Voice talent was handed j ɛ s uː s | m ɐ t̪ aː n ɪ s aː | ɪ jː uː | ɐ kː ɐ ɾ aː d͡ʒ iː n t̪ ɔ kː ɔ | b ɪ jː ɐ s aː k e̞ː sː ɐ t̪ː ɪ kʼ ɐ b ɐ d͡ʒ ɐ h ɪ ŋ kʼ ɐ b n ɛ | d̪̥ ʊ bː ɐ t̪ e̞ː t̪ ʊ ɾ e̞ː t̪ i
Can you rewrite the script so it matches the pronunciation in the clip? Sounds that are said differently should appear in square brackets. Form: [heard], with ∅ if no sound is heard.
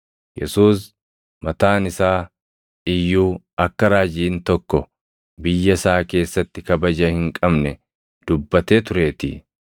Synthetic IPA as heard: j ɛ s uː s | m ɐ t̪ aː n ɪ s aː | ɪ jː uː | ɐ kː ɐ ɾ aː d͡ʒ iː n t̪ ɔ kː ɔ | b ɪ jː ɐ s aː k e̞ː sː ɐ t̪ː ɪ [k] ɐ b ɐ d͡ʒ ɐ h ɪ ŋ kʼ ɐ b n ɛ | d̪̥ ʊ bː ɐ t̪ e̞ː t̪ ʊ ɾ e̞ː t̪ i